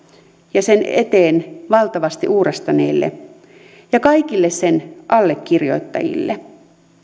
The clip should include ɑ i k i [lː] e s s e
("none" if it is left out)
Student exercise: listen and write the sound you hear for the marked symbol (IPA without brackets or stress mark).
lː